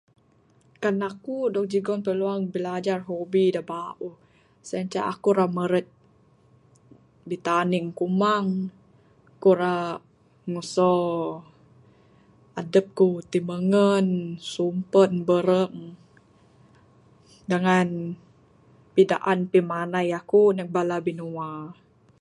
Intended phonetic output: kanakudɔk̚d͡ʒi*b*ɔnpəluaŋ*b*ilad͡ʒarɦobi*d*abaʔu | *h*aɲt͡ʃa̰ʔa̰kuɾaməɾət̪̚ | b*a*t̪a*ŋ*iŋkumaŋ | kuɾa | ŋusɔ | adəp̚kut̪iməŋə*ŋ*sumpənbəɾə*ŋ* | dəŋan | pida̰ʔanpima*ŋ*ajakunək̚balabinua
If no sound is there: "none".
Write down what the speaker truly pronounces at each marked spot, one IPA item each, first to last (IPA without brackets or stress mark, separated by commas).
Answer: ɡ, b, d, s, i, n, n, ŋ, n